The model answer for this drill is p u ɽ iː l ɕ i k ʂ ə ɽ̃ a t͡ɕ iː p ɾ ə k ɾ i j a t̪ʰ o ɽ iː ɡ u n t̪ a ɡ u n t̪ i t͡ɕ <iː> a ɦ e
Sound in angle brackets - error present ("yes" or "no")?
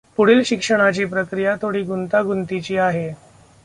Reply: no